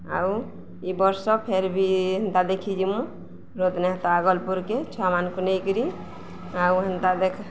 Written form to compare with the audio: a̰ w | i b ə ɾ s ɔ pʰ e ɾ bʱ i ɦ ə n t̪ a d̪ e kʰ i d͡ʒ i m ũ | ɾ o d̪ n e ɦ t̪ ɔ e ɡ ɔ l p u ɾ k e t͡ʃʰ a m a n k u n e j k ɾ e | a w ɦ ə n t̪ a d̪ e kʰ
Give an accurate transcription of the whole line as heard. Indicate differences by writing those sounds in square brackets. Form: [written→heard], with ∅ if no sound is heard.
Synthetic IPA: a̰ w | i b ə ɾ s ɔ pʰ e ɾ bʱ i ɦ ə n t̪ a d̪ e kʰ i d͡ʒ i m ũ | ɾ o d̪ n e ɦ t̪ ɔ [e→a] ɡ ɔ l p u ɾ k e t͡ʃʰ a m a n k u n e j k ɾ [e→i] | a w ɦ ə n t̪ a d̪ e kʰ